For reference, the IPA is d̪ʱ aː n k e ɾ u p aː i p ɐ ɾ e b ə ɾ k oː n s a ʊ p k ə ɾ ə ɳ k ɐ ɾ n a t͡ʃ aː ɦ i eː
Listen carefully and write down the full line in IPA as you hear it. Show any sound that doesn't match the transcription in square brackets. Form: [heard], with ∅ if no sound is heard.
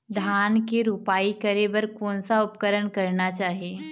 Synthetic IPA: d̪ʱ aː n k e ɾ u p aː i [k] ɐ ɾ e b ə ɾ k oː n s a ʊ p k ə ɾ ə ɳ k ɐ ɾ n a t͡ʃ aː ɦ i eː